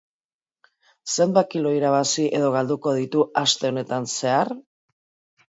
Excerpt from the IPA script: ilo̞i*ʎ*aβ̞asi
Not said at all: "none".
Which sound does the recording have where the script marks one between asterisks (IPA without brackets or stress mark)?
ɾ